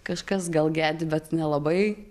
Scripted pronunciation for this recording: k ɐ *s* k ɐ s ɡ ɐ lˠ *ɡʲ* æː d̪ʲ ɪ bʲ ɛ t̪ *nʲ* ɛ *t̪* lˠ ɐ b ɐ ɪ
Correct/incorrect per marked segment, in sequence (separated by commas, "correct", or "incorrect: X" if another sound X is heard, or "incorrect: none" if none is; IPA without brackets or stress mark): incorrect: ʃ, correct, correct, incorrect: none